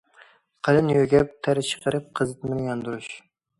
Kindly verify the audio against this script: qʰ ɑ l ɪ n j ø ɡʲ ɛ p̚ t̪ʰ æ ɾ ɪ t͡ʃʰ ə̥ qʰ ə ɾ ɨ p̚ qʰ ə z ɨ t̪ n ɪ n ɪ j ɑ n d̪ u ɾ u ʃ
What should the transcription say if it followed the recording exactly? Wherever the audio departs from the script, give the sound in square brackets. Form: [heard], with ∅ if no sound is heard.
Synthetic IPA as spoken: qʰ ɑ l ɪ n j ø ɡʲ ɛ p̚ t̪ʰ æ ɾ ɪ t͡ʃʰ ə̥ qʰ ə ɾ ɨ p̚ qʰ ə z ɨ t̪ [m] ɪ n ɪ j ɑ n d̪ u ɾ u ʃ